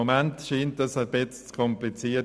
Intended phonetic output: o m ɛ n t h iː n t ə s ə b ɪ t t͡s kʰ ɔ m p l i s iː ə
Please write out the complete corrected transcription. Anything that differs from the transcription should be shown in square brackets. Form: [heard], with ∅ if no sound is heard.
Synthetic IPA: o m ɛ n t [ʃ] iː n t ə s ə b ɪ [t͡s] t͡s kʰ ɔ m p l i [t͡s] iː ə

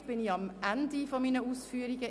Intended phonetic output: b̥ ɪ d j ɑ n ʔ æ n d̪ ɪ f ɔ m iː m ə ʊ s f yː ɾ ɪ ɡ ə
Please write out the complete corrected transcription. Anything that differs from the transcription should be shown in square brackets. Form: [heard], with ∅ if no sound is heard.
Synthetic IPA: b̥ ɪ [n] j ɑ [m] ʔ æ n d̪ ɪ f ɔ m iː [n] ə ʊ s f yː ɾ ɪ ɡ ə

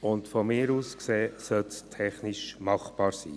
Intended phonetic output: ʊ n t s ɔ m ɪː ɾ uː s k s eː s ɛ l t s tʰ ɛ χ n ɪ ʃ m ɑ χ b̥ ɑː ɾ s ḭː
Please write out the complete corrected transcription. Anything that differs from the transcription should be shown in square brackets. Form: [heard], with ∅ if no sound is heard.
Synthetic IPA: ʊ n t [f] ɔ m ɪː ɾ uː s k s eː s [œ] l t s tʰ ɛ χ n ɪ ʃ m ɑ χ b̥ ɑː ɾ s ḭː

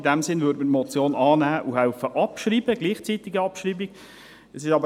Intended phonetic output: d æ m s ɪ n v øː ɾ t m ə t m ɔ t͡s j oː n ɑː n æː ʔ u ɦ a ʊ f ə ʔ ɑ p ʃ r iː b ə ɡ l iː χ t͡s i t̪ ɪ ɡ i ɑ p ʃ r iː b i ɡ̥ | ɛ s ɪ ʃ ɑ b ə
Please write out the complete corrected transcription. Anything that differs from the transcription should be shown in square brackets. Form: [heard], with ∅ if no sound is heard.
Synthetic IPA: d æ m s ɪ n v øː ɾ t m ə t m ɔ t͡s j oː n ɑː n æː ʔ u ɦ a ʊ f ə ʔ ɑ p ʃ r iː b ə ɡ l iː χ t͡s i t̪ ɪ ɡ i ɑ p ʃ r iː b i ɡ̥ | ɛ s ɪ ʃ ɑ b ə

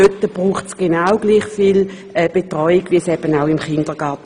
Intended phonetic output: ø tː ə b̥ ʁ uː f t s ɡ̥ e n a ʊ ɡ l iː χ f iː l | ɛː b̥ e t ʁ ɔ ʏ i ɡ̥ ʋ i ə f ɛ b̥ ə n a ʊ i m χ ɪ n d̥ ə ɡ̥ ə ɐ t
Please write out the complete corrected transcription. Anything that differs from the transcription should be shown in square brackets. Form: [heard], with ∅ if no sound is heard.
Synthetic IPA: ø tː ə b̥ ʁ uː [χ] t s ɡ̥ e n a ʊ ɡ l iː χ f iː l | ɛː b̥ e t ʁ ɔ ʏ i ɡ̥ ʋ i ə [s] ɛ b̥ ə n a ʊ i m χ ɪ n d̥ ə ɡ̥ [ɑ] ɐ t

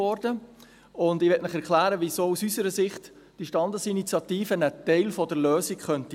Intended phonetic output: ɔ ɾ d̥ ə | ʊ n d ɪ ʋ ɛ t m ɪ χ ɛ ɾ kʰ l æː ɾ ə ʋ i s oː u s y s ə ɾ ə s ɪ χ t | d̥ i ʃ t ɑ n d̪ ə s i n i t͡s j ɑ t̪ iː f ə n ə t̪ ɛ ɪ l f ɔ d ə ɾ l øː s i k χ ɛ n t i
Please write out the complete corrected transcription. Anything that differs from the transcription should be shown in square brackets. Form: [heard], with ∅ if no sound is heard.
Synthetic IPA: ɔ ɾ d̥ ə | ʊ n d ɪ ʋ ɛ t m ɪ χ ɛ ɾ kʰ l æː ɾ ə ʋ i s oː u s y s ə ɾ ə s ɪ χ t | d̥ i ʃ t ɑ n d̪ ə s i n i t͡s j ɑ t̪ iː f ə n ə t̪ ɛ ɪ l f ɔ d ə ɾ l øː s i k χ [œ] n t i

